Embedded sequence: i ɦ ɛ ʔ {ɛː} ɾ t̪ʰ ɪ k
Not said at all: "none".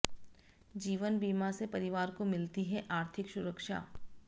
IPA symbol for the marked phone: aː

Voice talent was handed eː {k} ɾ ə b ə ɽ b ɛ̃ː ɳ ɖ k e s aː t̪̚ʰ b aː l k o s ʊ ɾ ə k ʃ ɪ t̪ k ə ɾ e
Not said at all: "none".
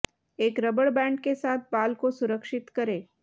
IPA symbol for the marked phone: k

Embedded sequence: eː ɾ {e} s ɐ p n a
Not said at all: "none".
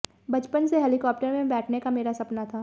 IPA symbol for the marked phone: a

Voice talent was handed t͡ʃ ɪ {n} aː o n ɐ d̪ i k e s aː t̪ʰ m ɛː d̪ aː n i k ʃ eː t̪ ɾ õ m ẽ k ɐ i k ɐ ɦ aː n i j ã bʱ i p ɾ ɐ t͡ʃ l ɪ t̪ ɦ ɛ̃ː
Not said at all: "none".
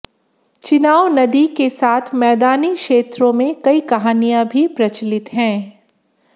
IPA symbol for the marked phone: n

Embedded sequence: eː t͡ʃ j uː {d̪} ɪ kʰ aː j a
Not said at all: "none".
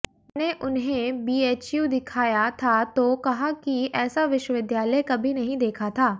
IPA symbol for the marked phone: d̪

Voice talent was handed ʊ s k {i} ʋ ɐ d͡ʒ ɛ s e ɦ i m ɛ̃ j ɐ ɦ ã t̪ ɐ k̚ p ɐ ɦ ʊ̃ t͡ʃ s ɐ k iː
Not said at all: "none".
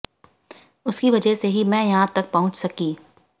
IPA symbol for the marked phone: i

